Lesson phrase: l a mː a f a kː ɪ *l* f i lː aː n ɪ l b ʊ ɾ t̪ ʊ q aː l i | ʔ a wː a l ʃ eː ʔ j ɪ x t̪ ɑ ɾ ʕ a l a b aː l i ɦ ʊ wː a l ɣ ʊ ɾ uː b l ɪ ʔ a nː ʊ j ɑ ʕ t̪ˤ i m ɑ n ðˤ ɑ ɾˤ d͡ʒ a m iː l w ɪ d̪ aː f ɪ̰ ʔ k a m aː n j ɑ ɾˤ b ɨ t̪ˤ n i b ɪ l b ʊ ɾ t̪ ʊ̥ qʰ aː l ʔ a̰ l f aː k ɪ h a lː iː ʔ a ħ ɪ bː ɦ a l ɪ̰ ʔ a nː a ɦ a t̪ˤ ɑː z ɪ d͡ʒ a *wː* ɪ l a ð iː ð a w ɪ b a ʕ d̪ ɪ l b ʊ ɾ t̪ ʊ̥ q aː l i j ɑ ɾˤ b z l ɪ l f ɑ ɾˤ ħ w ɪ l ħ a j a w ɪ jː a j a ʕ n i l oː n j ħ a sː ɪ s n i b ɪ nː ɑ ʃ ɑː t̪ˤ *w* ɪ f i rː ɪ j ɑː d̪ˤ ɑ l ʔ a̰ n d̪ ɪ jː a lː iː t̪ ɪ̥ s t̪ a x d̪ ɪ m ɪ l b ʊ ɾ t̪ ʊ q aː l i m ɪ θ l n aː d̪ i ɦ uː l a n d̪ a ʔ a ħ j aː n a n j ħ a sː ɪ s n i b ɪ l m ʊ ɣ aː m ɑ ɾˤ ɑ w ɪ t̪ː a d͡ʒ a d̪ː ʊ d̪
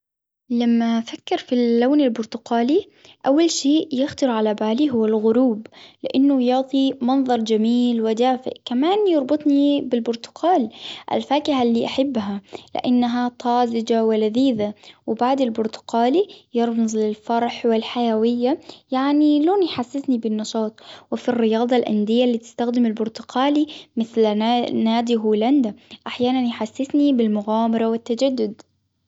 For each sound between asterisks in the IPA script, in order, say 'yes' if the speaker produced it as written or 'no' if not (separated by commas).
no, no, yes